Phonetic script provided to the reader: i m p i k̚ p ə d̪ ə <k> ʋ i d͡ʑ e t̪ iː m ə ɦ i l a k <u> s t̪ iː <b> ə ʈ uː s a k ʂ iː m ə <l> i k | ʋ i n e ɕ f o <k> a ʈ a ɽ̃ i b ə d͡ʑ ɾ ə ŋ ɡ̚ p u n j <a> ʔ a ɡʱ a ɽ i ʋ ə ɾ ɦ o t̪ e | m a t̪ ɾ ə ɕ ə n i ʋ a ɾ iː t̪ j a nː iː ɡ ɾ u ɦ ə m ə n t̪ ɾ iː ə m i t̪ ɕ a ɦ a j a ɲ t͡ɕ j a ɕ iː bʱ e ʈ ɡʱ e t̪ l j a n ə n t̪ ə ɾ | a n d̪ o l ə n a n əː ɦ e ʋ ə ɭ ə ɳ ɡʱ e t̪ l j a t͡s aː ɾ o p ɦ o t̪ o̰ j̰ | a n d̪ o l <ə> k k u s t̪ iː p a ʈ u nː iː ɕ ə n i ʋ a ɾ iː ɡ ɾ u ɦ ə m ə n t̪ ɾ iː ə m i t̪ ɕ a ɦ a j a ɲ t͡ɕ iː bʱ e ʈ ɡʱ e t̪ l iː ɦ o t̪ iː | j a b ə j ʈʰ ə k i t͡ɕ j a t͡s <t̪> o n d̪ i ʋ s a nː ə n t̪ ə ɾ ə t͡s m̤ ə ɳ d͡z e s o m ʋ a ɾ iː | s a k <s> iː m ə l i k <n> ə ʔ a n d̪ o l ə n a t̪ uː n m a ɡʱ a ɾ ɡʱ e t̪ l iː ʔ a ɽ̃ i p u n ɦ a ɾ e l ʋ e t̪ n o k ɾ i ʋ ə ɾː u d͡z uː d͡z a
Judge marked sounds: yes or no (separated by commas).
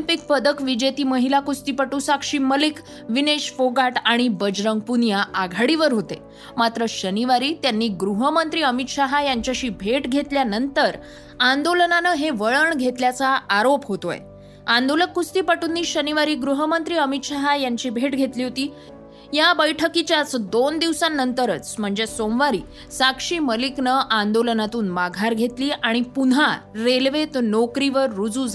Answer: yes, yes, no, yes, no, yes, yes, no, no, yes